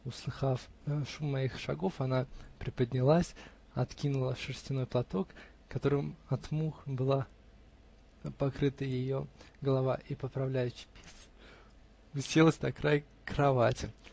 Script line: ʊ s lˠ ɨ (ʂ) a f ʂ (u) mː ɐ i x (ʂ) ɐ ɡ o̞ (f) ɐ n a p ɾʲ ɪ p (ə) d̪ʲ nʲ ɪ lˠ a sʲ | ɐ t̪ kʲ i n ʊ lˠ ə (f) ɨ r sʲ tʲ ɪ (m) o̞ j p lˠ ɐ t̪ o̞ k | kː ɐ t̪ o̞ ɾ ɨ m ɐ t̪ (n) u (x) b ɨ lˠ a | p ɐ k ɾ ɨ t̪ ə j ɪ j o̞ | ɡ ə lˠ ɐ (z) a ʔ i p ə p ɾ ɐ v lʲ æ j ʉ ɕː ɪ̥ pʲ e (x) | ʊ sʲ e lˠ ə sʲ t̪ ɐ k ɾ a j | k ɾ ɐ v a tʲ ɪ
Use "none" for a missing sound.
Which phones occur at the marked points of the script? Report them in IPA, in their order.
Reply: x, u, ʂ, f, ə, ʂ, n, m, x, v, s

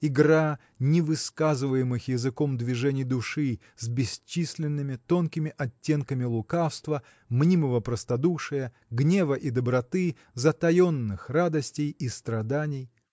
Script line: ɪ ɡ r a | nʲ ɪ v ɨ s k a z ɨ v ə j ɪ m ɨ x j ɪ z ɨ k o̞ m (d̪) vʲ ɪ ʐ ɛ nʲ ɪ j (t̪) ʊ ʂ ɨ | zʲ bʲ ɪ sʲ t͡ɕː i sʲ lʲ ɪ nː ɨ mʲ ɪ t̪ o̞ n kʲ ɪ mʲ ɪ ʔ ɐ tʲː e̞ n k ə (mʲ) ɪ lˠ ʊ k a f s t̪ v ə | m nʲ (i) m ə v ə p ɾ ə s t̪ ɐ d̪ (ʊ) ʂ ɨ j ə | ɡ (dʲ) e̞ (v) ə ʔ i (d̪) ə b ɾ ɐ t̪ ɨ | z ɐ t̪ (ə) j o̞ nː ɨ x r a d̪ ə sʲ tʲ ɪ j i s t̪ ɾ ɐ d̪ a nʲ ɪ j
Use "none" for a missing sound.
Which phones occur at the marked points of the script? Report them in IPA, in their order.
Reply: d̪, d̪, mʲ, i, u, nʲ, v, d̪, ɐ

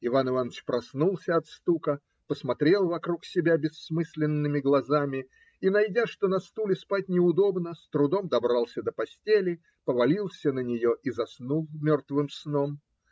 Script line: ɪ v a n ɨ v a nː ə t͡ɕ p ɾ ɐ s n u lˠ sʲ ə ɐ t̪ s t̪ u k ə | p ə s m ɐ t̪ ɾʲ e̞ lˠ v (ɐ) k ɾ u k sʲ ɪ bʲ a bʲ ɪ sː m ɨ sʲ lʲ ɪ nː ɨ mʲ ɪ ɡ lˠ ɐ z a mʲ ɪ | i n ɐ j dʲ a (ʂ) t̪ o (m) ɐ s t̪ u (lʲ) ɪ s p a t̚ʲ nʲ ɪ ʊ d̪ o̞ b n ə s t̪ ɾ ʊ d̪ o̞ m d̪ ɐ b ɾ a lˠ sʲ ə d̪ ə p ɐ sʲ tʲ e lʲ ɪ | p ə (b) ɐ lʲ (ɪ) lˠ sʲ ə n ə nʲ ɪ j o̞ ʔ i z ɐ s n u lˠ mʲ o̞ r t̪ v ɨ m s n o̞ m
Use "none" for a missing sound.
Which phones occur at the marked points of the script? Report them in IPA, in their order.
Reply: ɐ, ʂ, n, lʲ, v, i

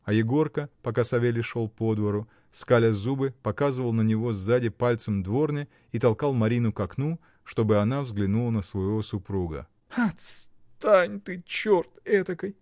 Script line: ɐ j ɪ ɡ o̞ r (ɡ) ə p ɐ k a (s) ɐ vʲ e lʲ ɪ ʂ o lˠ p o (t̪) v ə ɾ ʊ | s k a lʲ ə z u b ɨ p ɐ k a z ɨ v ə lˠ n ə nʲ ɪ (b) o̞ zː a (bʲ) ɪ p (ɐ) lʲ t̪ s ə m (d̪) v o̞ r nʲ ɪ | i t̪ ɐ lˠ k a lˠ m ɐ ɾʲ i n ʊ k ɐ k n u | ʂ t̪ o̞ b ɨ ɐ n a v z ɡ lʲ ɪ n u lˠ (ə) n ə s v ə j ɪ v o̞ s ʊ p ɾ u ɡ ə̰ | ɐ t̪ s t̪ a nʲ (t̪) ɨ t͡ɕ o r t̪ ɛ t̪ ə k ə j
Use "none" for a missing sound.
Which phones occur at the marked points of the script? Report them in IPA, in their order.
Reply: k, s, d̪, v, dʲ, a, d̪, ə, t̪

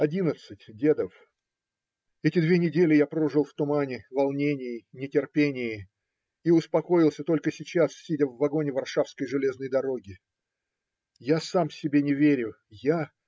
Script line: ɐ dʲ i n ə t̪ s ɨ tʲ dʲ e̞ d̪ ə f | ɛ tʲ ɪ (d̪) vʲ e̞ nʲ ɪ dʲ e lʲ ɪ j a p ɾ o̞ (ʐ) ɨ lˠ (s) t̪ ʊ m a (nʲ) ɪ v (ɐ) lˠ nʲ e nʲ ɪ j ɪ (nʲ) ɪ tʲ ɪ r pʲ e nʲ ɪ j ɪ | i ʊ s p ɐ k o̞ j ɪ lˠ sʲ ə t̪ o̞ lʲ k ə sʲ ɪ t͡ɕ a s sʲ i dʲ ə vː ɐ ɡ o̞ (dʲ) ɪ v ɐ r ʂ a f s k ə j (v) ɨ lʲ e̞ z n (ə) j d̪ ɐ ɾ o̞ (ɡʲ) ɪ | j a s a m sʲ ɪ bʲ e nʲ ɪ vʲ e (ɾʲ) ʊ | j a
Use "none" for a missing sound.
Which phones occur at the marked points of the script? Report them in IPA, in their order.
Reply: d̪, ʐ, f, nʲ, ɐ, nʲ, nʲ, ʐ, ə, ɡʲ, ɾʲ

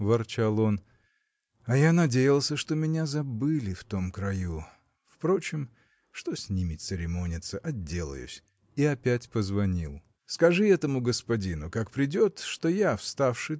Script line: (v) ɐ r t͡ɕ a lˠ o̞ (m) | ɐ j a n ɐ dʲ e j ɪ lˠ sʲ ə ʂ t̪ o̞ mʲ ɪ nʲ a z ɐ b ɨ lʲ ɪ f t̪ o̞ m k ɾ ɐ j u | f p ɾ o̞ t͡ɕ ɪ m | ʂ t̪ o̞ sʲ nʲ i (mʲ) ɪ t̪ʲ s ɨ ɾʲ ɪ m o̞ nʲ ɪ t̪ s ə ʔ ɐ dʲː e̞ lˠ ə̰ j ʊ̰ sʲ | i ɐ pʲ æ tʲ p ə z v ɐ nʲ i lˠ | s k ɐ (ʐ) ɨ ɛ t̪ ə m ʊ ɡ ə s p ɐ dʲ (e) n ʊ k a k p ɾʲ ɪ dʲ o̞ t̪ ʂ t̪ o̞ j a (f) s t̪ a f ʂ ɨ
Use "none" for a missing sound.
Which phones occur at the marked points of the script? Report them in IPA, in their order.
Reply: v, n, mʲ, ʐ, i, f

